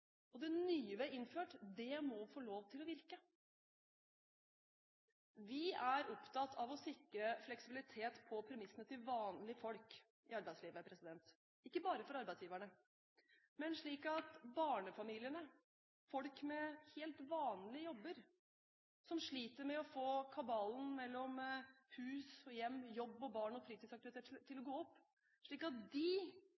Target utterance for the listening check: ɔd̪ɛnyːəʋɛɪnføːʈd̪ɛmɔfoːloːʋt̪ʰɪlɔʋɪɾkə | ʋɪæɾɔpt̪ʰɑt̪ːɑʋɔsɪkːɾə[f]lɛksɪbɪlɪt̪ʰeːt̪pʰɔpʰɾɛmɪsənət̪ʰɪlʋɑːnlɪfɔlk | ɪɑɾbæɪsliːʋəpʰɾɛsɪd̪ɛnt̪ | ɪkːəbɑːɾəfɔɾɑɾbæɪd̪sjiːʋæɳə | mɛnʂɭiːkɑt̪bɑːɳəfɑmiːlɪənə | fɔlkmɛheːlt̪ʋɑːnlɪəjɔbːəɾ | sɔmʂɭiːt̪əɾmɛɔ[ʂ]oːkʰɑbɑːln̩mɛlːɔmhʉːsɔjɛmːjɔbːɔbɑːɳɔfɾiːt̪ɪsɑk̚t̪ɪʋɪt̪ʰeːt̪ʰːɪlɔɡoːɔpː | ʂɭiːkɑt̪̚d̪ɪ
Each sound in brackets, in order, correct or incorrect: correct, incorrect

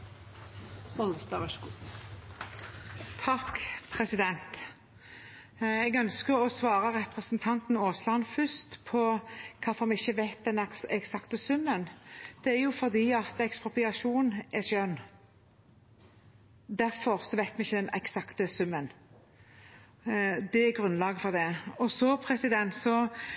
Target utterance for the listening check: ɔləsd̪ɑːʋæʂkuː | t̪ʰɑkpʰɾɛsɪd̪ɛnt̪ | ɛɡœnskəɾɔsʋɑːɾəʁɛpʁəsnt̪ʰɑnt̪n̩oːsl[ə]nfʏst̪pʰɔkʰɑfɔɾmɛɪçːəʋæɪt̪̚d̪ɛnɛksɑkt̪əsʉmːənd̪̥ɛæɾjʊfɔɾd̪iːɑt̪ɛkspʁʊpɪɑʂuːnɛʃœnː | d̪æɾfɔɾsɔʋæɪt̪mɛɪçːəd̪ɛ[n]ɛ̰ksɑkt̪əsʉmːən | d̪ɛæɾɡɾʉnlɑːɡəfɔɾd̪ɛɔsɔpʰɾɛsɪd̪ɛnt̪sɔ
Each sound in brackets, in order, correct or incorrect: incorrect, correct

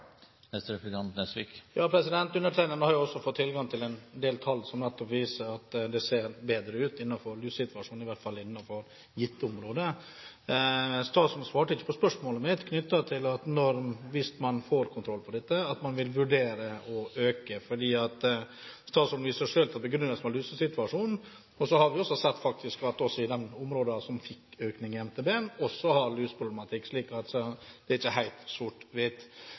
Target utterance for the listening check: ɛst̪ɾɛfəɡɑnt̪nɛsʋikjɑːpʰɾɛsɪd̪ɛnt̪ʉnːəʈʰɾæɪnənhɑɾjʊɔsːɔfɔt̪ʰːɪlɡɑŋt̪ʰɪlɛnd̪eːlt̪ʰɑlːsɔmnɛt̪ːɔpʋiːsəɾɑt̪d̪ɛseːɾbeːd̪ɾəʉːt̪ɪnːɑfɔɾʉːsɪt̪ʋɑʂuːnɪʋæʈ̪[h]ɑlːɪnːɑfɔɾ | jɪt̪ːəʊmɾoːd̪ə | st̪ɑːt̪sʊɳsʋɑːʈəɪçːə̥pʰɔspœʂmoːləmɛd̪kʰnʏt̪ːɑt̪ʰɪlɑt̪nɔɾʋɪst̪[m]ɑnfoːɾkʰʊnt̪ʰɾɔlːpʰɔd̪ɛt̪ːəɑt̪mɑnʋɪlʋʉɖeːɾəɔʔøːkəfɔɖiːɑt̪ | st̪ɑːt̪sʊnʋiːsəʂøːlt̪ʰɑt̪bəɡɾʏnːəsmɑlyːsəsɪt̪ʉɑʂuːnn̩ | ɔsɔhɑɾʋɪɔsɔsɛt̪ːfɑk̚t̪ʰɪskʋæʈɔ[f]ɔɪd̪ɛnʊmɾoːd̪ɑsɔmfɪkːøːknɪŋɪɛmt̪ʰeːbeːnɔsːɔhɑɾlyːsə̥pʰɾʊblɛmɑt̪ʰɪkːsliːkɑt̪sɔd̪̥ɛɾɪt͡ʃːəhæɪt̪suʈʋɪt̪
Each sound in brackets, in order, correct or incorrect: incorrect, correct, incorrect

